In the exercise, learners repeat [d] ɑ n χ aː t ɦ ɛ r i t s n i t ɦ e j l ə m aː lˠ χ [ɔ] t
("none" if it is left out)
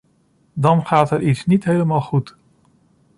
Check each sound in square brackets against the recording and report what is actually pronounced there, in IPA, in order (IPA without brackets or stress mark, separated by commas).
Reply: d, u